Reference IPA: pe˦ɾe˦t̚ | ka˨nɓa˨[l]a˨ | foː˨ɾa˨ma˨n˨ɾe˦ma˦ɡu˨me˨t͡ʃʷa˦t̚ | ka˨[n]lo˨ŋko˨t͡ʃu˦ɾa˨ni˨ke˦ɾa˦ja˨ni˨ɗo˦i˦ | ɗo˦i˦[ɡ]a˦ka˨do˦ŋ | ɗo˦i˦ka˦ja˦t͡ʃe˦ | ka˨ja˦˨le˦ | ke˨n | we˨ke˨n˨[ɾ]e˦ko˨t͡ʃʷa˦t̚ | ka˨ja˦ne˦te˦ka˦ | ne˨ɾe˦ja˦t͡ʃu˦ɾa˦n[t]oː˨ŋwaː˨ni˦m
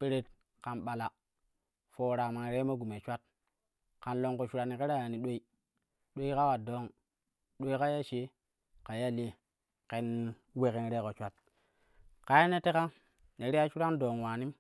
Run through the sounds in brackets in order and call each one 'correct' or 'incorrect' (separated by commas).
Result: correct, correct, incorrect, correct, incorrect